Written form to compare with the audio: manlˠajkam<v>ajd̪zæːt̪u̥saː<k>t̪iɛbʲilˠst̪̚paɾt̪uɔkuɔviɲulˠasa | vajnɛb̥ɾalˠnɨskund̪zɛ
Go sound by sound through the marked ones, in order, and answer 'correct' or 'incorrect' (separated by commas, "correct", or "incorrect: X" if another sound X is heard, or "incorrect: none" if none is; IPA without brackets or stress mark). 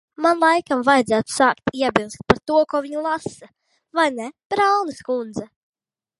correct, correct